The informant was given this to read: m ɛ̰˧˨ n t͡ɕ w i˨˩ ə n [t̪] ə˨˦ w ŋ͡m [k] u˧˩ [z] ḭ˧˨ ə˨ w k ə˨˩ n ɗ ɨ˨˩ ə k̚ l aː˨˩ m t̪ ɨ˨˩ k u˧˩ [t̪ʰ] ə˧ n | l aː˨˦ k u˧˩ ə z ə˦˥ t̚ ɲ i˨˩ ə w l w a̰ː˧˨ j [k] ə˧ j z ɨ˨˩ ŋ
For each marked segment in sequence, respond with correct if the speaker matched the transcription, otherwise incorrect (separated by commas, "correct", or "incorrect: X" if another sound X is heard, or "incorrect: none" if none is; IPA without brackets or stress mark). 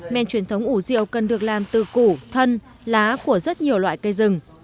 incorrect: t̪ʰ, incorrect: ʔ, correct, correct, correct